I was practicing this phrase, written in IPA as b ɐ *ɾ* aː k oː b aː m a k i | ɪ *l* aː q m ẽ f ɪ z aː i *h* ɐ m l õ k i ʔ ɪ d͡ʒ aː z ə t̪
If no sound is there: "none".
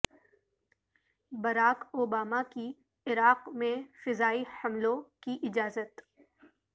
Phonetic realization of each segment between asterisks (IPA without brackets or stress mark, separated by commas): ɾ, ɾ, h